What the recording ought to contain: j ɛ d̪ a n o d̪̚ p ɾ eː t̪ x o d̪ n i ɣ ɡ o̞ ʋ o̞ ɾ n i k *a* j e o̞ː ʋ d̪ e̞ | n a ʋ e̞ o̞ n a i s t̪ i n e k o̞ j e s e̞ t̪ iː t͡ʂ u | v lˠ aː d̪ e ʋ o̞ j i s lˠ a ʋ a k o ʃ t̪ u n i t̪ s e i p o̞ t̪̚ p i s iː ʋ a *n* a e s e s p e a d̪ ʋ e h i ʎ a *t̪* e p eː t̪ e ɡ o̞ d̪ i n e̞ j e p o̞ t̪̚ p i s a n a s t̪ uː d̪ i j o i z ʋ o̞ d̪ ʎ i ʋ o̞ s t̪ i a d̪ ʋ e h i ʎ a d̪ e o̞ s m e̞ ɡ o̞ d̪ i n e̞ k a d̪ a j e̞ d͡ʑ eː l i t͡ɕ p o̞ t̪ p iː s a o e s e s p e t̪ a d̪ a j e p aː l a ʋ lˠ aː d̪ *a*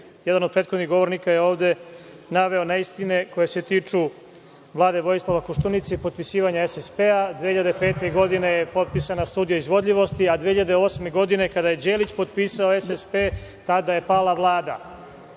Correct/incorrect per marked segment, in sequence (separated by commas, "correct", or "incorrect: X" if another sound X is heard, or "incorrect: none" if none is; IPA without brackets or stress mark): correct, incorrect: ɲ, incorrect: d̪, correct